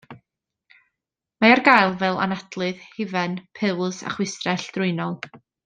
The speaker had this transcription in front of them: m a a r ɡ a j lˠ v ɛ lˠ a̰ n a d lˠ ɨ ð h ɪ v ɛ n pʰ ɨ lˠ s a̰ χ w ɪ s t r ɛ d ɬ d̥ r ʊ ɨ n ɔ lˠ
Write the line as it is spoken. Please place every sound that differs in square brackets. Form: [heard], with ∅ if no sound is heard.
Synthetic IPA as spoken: m a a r ɡ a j lˠ v ɛ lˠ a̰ n a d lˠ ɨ ð h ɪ v ɛ n pʰ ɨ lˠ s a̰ χ w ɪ s t r ɛ [∅] ɬ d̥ r ʊ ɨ n ɔ lˠ